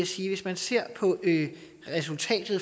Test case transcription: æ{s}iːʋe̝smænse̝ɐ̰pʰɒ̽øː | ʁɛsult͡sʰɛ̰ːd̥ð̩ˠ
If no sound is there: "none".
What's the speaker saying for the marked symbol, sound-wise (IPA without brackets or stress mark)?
s